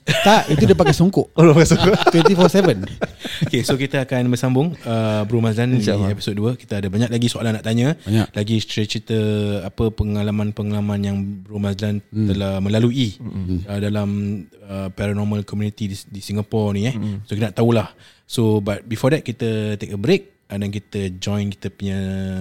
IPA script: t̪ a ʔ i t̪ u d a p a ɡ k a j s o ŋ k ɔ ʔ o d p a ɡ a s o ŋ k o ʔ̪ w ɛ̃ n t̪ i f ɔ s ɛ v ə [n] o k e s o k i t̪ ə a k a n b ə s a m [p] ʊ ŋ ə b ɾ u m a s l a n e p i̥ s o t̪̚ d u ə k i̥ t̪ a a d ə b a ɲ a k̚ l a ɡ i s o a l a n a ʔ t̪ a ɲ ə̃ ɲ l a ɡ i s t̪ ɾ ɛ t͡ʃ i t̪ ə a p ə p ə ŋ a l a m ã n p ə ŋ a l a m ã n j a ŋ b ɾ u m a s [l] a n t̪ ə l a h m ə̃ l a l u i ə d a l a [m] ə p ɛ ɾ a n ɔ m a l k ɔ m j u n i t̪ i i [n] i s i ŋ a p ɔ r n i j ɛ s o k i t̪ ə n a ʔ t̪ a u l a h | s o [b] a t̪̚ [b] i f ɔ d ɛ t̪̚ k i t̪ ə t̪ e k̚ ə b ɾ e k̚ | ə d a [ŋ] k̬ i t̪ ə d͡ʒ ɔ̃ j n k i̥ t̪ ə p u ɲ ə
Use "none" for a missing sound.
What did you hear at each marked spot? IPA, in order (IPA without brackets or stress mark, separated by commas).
n, b, l, m, d, b, b, n